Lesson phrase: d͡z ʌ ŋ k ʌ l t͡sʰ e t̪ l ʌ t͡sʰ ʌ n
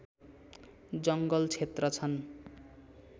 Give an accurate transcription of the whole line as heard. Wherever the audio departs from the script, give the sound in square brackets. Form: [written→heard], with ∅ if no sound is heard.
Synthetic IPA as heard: d͡z ʌ ŋ [k→ɡ] ʌ l t͡sʰ e t̪ [l→r] ʌ t͡sʰ ʌ n